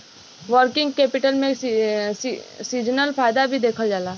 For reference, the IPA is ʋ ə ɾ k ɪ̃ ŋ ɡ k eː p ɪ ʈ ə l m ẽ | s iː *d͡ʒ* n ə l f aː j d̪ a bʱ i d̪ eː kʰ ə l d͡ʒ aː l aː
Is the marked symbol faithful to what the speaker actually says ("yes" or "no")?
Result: yes